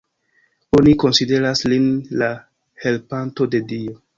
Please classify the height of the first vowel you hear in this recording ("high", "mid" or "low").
mid